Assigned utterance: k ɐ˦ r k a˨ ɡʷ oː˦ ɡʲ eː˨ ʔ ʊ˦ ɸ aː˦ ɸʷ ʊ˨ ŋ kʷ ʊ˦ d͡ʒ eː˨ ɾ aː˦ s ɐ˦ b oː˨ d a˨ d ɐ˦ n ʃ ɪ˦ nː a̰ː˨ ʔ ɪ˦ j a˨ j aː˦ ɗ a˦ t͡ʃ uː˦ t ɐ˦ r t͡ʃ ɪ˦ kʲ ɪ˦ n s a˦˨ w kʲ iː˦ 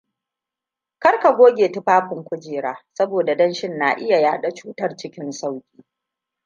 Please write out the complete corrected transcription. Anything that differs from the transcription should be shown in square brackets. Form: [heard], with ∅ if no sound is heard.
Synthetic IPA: k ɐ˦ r k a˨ ɡʷ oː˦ ɡʲ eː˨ [t] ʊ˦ ɸ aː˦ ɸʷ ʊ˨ ŋ kʷ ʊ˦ d͡ʒ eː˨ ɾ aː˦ s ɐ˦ b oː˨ d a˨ d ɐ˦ n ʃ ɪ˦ nː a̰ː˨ ʔ ɪ˦ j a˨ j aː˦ ɗ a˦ t͡ʃ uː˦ t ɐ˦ r t͡ʃ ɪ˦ kʲ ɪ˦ n s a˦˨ w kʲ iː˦